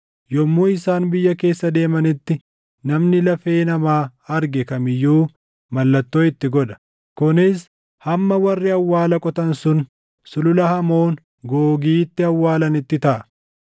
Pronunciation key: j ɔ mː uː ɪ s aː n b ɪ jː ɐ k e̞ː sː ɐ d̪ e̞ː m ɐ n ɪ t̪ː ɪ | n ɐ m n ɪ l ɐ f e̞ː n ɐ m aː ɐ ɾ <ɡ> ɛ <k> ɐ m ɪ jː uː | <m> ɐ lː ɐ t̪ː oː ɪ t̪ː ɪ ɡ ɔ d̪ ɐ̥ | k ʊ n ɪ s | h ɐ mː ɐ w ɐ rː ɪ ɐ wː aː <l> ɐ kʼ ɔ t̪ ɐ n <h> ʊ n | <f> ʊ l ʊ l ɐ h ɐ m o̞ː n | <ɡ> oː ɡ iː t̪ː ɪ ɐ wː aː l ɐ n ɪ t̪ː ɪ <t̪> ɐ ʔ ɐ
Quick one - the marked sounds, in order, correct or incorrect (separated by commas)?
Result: correct, correct, correct, correct, incorrect, incorrect, correct, correct